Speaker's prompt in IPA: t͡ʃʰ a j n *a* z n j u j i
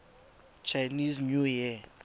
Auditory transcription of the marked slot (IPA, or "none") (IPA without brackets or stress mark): i